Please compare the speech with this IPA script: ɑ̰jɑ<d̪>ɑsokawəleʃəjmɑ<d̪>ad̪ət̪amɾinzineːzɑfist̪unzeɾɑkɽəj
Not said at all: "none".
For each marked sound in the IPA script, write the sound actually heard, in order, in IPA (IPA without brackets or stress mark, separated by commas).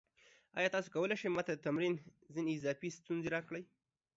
t̪, t̪